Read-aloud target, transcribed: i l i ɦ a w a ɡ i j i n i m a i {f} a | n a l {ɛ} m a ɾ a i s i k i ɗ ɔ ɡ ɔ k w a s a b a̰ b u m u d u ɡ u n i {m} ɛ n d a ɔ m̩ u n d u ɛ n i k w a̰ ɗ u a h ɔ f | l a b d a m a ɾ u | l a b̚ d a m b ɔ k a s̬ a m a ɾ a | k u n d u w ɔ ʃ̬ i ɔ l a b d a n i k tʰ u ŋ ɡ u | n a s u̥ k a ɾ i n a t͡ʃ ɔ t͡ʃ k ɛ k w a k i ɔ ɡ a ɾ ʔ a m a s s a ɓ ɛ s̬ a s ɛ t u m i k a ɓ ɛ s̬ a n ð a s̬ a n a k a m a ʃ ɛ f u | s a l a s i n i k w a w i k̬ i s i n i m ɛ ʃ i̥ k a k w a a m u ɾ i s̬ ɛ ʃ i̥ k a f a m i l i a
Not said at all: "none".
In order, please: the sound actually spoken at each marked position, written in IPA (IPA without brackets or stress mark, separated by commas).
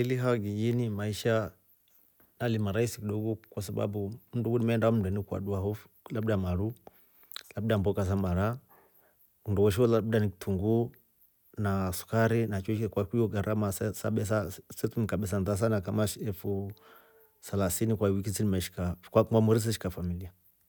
ʃ, i, m